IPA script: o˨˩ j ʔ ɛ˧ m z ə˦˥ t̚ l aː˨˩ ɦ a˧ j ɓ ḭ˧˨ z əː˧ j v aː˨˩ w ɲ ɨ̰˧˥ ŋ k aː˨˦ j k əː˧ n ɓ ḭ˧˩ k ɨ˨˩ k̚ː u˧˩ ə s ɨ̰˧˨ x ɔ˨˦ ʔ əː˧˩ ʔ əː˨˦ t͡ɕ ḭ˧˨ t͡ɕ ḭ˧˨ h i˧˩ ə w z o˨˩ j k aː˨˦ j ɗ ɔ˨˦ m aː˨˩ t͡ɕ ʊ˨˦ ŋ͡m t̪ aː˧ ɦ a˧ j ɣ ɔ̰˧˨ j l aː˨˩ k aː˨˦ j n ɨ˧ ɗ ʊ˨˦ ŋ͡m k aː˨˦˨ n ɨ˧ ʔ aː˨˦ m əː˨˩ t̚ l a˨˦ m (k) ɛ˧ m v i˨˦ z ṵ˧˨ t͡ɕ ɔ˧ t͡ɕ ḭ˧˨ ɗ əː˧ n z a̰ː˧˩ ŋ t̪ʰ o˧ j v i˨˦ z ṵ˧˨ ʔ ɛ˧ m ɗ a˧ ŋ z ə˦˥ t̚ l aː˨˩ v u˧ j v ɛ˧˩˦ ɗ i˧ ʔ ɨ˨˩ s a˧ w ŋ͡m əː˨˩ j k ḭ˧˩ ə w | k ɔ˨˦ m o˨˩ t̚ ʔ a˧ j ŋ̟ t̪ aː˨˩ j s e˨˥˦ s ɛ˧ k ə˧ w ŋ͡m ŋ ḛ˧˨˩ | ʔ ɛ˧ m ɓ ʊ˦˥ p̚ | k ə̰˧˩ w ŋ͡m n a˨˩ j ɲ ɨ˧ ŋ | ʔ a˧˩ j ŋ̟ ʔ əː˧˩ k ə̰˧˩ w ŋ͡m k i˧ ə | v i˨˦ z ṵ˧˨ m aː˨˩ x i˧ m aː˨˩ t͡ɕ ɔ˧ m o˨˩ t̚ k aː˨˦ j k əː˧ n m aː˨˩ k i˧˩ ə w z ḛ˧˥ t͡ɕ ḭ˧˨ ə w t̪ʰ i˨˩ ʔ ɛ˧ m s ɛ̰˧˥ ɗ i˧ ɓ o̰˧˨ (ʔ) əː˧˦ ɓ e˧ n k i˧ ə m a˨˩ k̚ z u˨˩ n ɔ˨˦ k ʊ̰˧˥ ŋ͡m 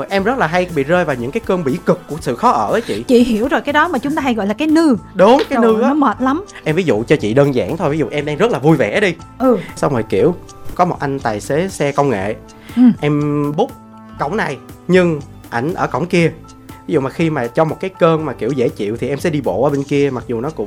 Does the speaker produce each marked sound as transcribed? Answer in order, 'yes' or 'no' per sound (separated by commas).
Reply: no, yes